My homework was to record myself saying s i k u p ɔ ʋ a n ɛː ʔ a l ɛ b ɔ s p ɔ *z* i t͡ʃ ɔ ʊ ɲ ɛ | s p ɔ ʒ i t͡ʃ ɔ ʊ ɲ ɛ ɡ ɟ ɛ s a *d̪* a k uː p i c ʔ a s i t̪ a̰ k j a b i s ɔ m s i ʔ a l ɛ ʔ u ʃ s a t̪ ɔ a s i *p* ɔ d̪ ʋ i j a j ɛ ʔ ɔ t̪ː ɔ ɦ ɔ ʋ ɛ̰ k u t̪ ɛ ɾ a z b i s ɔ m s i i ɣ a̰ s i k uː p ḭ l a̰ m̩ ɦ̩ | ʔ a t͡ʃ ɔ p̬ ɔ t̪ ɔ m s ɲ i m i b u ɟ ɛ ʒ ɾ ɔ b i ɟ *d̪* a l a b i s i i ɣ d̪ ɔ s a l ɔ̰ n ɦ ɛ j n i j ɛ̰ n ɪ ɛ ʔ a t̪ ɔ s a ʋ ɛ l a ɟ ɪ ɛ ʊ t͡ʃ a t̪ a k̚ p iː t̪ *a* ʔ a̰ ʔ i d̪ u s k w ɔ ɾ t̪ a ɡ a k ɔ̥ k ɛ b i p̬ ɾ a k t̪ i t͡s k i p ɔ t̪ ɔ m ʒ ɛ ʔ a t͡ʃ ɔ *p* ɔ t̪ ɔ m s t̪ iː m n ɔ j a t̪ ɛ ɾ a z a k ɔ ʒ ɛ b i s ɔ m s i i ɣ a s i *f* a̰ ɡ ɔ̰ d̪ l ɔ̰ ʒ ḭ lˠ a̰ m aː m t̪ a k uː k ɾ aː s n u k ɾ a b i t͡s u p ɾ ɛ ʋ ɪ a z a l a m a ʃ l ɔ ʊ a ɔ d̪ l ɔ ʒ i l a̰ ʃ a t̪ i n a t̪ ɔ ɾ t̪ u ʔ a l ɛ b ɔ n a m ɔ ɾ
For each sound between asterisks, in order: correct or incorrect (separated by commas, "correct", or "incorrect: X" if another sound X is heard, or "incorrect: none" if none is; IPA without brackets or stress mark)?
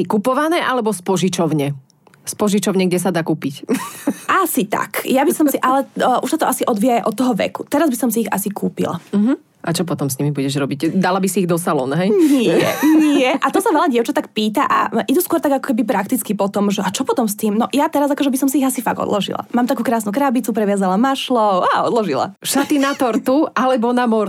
incorrect: ʒ, correct, incorrect: ʔ, correct, correct, correct, correct